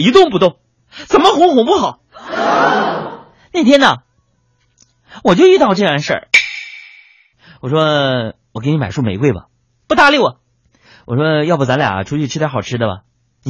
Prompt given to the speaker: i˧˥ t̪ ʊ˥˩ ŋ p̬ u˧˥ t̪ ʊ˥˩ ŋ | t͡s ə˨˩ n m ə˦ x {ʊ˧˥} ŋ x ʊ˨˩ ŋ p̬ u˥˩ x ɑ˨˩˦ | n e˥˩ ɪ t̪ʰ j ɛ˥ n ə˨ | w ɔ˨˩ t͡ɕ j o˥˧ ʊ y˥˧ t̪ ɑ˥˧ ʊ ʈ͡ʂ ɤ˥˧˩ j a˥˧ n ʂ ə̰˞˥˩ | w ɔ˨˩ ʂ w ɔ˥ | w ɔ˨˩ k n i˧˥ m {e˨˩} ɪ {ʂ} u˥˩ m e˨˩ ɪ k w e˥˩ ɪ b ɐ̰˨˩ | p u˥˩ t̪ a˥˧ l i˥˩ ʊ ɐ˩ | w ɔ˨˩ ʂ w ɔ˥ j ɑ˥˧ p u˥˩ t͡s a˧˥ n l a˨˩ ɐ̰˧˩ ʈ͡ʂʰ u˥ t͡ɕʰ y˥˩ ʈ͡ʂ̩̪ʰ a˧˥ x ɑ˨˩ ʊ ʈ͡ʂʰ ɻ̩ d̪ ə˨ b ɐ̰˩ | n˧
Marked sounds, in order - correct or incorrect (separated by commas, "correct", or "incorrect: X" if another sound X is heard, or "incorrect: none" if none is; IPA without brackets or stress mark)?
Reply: correct, incorrect: a˨˩, correct